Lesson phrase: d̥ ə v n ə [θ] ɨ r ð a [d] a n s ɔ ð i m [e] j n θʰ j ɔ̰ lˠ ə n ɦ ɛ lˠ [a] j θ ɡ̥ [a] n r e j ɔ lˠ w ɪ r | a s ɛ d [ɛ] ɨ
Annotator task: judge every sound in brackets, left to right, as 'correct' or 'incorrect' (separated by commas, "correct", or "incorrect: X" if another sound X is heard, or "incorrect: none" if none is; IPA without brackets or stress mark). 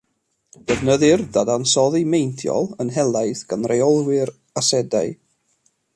incorrect: ð, correct, correct, correct, correct, incorrect: a